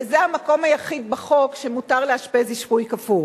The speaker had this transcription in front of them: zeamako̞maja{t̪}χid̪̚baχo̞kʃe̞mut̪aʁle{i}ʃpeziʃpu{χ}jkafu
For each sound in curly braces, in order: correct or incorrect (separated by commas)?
incorrect, incorrect, incorrect